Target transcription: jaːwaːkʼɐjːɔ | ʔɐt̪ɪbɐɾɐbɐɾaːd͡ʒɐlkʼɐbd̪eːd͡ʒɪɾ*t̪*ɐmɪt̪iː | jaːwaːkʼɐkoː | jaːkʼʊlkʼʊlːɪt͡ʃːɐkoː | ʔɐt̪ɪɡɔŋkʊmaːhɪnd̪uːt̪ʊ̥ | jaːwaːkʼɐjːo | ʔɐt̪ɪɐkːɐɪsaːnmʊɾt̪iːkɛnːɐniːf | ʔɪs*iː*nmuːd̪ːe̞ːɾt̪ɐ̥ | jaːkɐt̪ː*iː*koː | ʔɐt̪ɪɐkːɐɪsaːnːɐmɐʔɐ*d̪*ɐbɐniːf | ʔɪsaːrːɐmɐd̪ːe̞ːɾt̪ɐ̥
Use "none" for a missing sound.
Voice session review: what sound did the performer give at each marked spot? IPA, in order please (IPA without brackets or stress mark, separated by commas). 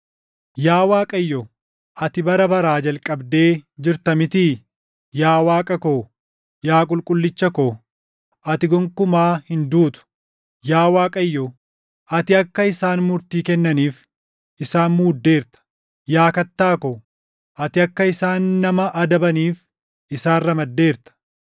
t̪, aː, aː, d̪